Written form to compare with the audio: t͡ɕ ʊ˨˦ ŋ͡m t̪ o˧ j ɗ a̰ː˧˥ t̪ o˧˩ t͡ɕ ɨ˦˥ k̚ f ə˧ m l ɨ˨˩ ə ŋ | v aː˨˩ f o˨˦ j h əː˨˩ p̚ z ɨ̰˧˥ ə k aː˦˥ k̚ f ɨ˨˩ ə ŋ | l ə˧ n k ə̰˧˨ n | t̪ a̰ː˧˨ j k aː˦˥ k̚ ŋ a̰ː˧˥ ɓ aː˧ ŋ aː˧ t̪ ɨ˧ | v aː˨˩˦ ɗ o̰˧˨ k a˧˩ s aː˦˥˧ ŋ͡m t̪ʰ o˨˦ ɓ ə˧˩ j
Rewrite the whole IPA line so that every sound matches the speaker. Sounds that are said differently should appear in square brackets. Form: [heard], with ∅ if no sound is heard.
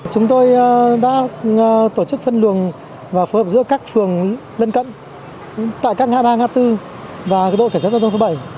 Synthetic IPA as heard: t͡ɕ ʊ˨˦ ŋ͡m t̪ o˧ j ɗ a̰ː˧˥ t̪ o˧˩ t͡ɕ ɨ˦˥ k̚ f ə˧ [n] l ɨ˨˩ ə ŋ | v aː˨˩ f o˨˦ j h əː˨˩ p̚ z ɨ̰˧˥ ə k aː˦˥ k̚ f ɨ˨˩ ə ŋ | l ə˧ n k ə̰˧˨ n | t̪ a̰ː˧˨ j k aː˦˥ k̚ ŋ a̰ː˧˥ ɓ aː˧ ŋ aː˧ t̪ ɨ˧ | v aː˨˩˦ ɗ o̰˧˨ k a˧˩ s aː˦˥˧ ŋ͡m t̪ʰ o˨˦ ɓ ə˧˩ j